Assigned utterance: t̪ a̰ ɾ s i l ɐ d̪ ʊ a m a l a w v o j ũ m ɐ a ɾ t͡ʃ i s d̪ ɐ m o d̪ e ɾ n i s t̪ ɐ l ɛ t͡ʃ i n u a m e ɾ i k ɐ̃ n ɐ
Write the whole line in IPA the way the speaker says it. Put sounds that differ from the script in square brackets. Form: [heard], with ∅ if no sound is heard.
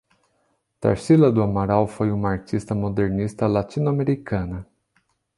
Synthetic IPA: t̪ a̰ ɾ s i l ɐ d̪ ʊ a m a [ɾ] a w [f] o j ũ m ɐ a ɾ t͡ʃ i s [t̪] ɐ m o d̪ e ɾ n i s t̪ ɐ l [a] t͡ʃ i n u a m e ɾ i k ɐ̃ n ɐ